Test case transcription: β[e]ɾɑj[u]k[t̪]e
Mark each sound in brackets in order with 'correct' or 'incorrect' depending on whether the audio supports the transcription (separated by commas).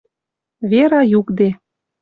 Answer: correct, correct, incorrect